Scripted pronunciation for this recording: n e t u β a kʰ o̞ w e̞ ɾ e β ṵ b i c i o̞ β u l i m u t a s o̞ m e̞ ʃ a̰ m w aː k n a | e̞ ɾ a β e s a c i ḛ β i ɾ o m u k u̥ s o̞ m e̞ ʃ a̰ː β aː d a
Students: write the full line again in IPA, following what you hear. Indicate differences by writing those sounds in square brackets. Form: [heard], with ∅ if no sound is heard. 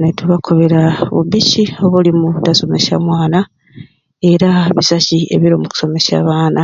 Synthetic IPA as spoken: n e t u β a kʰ o̞ [β] e̞ ɾ [a] β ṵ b i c i o̞ β u l i m u t a s o̞ m e̞ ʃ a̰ m w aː [∅] n a | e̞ ɾ a β [i] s a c i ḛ β i ɾ o m u k u̥ s o̞ m e̞ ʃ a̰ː β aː [n] a